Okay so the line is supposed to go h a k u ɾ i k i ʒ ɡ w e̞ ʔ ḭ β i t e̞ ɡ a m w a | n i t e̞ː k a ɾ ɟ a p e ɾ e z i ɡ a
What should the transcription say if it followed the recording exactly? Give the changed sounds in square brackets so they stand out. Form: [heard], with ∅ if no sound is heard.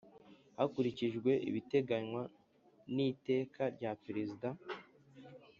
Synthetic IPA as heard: h a k u ɾ i [c] i ʒ ɡ w e̞ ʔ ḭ β i t e̞ ɡ a [ɲ] w a | n i t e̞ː k a ɾ ɟ a p e ɾ e z i [d] a